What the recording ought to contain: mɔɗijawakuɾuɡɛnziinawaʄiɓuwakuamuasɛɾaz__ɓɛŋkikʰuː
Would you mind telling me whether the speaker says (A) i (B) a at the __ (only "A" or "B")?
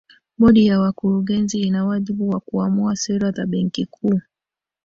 B